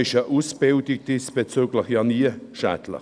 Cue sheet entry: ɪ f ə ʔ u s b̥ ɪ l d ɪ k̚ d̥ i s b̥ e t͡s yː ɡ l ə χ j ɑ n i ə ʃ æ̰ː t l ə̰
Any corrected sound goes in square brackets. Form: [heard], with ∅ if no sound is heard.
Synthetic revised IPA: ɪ [ʃ] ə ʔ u s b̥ ɪ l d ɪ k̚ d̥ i s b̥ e t͡s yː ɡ l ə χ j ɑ n i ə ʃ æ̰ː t l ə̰